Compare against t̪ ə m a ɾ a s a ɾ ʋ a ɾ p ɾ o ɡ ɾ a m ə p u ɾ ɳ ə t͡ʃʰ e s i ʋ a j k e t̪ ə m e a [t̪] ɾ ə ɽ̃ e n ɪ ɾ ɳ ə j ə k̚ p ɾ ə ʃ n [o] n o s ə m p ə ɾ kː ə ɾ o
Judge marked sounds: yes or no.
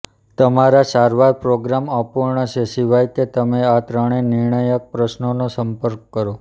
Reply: yes, yes

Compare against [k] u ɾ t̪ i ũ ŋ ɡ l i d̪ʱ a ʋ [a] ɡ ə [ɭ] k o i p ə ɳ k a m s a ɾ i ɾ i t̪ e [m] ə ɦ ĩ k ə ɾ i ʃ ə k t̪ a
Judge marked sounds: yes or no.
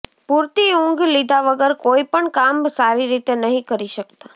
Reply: no, no, no, no

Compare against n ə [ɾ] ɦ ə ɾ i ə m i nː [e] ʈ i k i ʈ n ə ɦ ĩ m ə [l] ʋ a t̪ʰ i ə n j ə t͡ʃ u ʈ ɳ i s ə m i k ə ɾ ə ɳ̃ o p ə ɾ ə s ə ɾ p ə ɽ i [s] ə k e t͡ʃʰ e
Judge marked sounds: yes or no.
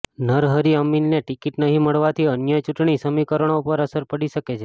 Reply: yes, yes, no, no

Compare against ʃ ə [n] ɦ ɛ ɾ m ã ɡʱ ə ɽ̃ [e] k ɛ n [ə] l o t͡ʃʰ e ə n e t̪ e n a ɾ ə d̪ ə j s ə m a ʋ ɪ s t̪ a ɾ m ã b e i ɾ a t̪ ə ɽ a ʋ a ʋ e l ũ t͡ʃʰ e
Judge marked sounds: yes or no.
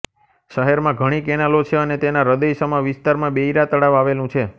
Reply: no, no, no

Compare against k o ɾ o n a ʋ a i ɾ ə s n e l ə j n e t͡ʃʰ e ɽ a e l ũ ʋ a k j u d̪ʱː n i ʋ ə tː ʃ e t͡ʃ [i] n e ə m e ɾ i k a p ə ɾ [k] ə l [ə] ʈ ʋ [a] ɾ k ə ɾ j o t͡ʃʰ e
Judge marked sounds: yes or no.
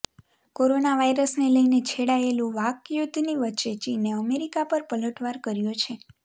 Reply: yes, no, yes, yes

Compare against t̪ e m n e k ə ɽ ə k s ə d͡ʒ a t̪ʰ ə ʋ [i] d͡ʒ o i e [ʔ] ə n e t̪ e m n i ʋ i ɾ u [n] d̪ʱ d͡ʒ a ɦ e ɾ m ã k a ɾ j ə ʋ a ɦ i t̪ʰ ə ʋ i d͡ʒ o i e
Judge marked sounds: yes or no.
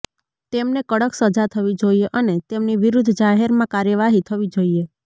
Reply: yes, yes, no

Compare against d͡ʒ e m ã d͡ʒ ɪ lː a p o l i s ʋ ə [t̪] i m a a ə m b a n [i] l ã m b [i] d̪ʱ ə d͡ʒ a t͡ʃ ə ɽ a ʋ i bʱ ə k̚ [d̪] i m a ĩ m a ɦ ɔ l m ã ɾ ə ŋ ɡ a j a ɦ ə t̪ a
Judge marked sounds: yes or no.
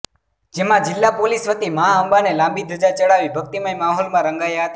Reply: yes, no, yes, no

